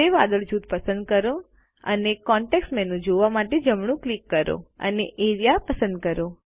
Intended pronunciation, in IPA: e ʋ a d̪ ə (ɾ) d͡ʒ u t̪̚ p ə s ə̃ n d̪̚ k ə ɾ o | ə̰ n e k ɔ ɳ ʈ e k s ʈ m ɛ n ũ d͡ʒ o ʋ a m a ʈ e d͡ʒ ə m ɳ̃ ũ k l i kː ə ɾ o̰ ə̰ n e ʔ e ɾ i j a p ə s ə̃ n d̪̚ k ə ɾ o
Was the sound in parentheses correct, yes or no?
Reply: no